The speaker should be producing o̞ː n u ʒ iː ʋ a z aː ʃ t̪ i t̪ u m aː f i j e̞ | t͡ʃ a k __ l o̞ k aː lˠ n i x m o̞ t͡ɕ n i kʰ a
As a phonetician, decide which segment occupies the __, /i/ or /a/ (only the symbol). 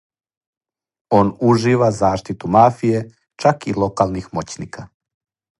i